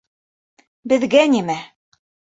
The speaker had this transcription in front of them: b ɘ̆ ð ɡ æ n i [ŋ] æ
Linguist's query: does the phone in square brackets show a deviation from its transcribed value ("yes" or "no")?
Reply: yes